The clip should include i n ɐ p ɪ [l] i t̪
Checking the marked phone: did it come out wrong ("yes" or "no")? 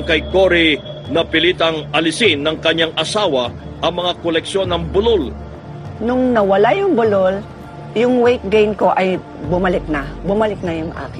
no